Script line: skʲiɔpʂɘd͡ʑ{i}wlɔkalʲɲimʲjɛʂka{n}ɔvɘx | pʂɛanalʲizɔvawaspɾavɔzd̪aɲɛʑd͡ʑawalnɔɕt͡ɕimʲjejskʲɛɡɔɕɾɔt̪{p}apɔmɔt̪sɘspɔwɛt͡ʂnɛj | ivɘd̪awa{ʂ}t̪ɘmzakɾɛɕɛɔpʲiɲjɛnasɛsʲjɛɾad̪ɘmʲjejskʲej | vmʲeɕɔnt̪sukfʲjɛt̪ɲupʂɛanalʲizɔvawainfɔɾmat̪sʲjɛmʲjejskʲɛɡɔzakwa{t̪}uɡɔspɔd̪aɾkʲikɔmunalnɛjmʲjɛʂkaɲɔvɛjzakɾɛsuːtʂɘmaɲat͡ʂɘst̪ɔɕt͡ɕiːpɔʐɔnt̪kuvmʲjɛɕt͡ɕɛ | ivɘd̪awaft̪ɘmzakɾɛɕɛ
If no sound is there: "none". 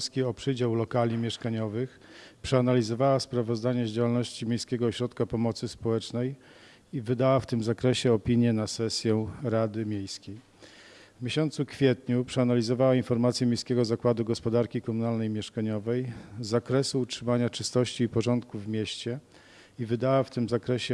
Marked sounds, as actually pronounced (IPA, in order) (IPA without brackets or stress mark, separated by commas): a, ɲ, k, f, d̪